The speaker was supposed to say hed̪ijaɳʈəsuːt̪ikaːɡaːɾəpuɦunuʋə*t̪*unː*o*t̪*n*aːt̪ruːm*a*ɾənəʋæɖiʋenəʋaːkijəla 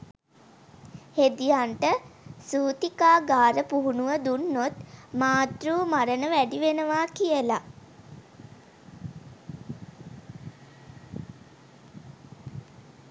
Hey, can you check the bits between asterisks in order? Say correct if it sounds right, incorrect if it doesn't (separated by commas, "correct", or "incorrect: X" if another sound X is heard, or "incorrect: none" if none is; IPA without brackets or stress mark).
incorrect: d̪, correct, incorrect: m, correct